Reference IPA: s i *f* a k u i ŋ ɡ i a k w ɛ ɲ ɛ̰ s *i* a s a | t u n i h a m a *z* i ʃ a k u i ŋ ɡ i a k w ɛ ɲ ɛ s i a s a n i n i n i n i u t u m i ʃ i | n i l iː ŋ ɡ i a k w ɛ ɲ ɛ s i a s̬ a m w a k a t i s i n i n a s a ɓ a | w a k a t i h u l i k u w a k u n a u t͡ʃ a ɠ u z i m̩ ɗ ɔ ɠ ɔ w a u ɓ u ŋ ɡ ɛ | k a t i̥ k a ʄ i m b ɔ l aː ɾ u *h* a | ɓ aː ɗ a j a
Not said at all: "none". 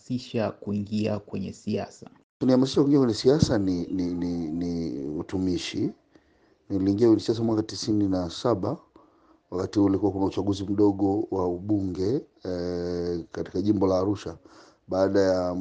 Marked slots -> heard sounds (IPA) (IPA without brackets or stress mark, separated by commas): ʃ, i, s, ʃ